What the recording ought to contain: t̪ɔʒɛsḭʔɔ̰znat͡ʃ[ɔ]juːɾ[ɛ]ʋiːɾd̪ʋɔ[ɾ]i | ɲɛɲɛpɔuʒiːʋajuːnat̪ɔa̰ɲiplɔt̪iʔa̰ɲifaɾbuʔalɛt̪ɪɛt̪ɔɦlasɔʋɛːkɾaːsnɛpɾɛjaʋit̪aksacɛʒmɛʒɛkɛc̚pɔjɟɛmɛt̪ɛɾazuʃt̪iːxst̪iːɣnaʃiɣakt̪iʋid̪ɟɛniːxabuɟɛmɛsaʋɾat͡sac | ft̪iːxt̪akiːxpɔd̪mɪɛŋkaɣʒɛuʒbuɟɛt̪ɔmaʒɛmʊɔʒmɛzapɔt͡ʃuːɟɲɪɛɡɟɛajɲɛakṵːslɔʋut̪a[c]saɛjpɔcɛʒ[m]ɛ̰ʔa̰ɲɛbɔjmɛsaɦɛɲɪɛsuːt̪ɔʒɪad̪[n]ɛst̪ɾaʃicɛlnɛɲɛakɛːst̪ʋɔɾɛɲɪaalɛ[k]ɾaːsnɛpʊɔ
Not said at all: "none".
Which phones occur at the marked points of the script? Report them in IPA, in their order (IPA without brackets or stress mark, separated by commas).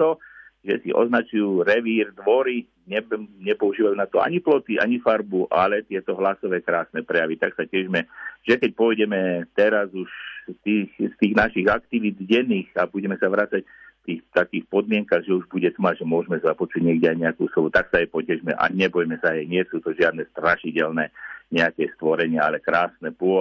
u, ɛ, ɾ, k, m, n, k